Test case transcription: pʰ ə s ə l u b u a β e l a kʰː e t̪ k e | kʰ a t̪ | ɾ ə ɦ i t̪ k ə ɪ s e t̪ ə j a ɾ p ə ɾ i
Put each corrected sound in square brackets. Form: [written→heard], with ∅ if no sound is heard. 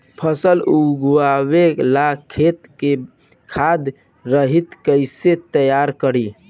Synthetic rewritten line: pʰ ə s ə l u [b→ɡ] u a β e l a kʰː e t̪ k e | kʰ a [t̪→d̪] | ɾ ə ɦ i t̪ k ə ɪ s e t̪ ə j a ɾ [p→k] ə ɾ i

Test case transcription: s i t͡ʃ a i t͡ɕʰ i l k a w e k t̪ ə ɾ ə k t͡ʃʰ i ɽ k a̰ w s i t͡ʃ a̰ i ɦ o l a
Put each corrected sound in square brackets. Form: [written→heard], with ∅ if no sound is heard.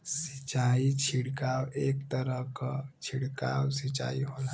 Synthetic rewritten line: s i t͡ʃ a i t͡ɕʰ i [l→ɽ] k a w e k t̪ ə ɾ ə k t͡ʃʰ i ɽ k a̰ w s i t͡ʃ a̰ i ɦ o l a

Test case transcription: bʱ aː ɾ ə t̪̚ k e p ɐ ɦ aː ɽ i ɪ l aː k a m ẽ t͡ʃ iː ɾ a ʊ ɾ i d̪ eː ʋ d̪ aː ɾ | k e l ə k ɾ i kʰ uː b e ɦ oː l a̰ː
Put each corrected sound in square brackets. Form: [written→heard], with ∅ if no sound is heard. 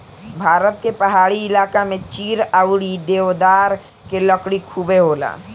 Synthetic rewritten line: bʱ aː ɾ ə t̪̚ k e p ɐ ɦ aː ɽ i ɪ l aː k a m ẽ t͡ʃ iː ɾ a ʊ [ɾ→ɽ] i d̪ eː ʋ d̪ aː ɾ | k e l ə k [ɾ→ɽ] i kʰ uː b e ɦ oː l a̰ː

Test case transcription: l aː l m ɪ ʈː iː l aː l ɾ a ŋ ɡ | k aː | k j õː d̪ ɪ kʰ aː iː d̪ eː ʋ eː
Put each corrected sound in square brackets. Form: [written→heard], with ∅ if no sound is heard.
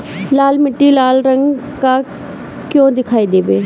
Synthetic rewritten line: l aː l m ɪ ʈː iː l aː l ɾ [a→ə] ŋ ɡ | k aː | k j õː d̪ ɪ kʰ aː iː d̪ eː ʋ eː

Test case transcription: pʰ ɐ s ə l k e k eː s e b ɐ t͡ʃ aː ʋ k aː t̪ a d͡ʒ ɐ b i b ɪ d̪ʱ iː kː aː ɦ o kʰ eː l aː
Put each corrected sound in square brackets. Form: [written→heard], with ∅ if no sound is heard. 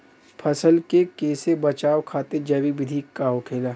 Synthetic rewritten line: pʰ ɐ s ə l k e k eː s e b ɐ t͡ʃ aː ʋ [k→kʰ] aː t̪ [a→e] d͡ʒ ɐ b i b ɪ d̪ʱ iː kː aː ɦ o kʰ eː l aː

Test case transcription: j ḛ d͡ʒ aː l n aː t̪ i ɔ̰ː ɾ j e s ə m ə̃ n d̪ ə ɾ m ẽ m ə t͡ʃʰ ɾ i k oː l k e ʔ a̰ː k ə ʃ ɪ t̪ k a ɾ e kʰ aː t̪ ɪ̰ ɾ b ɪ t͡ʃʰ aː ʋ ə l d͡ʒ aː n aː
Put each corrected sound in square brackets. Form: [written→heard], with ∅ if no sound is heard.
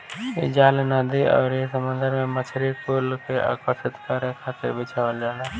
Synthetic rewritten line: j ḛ d͡ʒ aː l n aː [t̪→d̪] i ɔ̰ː ɾ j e s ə m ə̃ n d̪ ə ɾ m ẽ m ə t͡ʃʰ ɾ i k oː l k e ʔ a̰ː k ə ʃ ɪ t̪ k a ɾ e kʰ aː t̪ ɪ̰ ɾ b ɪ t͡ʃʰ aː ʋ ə l d͡ʒ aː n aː

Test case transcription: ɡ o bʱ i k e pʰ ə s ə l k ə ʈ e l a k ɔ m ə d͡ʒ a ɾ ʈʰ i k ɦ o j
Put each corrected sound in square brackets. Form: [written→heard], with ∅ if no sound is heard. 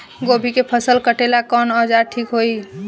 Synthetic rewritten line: ɡ o bʱ i k e pʰ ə s ə l k ə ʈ e l a k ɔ [m→n] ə d͡ʒ a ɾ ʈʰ i k ɦ o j

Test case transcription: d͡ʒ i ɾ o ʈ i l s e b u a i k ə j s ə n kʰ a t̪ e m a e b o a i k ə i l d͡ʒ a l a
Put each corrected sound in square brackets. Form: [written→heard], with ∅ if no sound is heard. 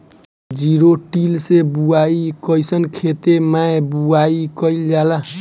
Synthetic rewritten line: d͡ʒ i ɾ o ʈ i l s e b u a i k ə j s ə n kʰ [a→e] t̪ e m a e b [o→u] a i k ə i l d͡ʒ a l a

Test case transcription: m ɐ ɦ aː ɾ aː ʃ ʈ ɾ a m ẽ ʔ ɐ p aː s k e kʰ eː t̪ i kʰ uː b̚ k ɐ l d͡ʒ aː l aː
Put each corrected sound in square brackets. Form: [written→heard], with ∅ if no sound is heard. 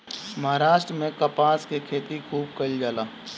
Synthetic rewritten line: m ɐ ɦ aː ɾ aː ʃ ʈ ɾ [a→ə] m ẽ [ʔ→k] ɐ p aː s k e kʰ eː t̪ i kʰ uː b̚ k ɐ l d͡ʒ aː l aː

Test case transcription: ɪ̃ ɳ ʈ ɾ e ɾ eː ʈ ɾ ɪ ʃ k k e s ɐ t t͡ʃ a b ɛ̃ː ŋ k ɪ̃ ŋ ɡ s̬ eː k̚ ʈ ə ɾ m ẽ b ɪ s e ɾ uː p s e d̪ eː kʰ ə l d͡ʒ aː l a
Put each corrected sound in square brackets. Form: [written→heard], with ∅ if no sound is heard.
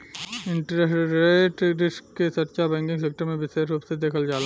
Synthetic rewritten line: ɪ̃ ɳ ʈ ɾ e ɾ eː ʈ ɾ ɪ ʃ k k e s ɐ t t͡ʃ a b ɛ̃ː ŋ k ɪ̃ ŋ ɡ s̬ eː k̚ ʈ ə ɾ m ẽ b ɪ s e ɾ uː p s e d̪ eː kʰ ə l d͡ʒ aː l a

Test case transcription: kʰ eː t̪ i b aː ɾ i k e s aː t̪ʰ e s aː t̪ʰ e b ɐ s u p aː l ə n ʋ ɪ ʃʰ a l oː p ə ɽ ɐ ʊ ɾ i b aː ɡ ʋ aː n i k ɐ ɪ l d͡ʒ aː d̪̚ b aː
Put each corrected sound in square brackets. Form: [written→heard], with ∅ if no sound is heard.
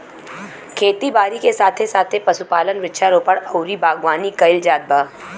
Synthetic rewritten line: kʰ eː t̪ i b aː ɾ i k e s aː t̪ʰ e s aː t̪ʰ e [b→p] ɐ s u p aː l ə n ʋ ɪ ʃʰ a [l→ɾ] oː p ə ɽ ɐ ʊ ɾ i b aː ɡ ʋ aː n i k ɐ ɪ l d͡ʒ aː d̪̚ b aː

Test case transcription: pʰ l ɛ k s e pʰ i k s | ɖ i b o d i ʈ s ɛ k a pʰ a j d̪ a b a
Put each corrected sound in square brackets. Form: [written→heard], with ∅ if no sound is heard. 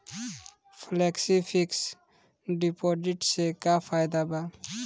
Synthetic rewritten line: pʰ l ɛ k s [e→i] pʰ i k s | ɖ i [b→p] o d i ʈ s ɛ k a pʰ a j d̪ a b a

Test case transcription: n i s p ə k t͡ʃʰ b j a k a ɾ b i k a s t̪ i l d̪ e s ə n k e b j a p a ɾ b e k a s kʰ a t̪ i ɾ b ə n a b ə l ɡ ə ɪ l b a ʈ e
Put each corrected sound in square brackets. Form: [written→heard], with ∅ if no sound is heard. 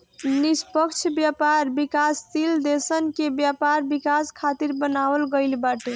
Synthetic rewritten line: n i s p ə k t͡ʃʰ b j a [k→p] a ɾ b i k a s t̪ i l d̪ e s ə n k e b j a p a ɾ b [e→i] k a s kʰ a t̪ i ɾ b ə n a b ə l ɡ ə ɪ l b a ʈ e

